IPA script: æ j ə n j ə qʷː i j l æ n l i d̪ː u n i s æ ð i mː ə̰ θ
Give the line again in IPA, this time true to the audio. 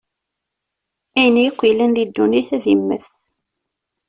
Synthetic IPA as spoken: æ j ə n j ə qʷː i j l æ n l i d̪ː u n i θ æ ð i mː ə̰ θ